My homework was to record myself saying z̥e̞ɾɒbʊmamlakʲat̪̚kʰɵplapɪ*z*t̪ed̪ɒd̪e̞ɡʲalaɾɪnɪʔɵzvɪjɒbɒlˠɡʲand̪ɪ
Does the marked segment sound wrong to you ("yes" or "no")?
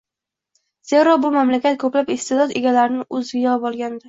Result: yes